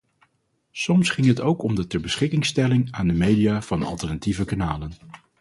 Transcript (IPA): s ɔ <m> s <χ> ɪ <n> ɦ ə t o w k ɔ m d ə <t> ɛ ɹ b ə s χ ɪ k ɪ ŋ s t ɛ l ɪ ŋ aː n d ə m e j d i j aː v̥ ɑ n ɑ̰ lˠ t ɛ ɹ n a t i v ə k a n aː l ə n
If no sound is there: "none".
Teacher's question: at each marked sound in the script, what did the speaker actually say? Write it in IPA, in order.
m, χ, ŋ, t

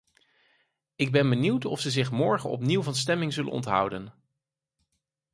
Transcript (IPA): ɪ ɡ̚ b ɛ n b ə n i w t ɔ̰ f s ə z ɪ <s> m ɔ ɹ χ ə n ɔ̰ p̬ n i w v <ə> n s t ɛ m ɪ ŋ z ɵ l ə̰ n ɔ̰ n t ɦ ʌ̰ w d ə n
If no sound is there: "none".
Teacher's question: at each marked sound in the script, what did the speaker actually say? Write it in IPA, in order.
χ, ɑ

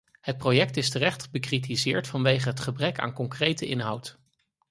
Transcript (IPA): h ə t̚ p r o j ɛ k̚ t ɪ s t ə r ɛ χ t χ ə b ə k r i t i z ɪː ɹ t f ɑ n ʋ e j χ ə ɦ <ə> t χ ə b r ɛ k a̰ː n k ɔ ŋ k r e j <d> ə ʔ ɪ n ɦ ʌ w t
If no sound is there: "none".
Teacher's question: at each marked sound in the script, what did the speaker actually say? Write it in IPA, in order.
ə, t

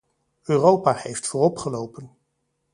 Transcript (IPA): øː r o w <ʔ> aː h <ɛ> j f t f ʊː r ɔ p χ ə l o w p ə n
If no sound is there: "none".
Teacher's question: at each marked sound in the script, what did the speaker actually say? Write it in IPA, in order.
p, e

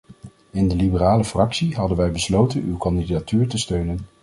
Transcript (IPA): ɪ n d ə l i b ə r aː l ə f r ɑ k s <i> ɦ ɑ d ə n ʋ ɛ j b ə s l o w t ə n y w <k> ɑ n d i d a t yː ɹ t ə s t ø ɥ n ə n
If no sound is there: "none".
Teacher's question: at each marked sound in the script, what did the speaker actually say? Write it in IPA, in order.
i, k

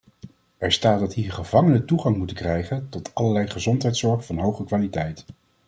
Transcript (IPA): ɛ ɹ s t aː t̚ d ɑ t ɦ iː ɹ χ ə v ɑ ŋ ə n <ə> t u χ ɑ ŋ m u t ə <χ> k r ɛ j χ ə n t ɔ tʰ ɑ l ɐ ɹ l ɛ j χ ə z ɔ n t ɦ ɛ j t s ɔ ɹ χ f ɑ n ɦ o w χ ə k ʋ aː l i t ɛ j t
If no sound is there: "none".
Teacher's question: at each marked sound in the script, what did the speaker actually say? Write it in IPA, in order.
ə, none

